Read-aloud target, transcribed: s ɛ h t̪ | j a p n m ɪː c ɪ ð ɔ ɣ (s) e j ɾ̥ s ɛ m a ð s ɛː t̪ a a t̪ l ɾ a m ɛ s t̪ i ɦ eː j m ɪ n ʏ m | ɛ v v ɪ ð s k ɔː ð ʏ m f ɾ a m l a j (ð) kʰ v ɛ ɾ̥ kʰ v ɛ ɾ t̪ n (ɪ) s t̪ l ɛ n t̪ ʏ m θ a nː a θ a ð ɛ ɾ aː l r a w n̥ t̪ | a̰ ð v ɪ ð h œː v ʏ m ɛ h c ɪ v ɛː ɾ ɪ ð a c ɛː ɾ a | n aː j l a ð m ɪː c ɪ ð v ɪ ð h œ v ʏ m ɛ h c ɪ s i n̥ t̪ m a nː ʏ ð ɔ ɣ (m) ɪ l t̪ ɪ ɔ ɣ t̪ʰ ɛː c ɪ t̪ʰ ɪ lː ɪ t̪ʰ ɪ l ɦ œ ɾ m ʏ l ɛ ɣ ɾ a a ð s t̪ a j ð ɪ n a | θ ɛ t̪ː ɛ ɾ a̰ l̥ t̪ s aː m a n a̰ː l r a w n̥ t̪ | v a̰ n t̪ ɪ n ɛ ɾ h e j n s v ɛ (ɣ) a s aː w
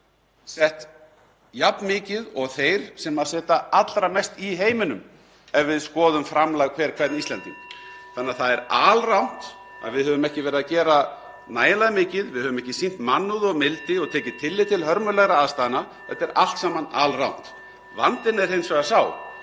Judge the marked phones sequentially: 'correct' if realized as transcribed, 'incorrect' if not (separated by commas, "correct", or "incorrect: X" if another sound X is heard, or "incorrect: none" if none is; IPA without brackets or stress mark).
incorrect: θ, incorrect: ɣ, incorrect: i, correct, correct